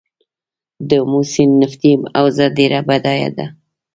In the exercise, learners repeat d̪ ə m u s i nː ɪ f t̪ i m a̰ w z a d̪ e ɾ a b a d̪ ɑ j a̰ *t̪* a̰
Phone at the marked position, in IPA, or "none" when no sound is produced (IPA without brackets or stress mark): d̪